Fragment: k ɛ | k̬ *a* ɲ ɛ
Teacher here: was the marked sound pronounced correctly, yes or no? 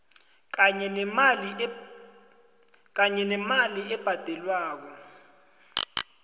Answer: yes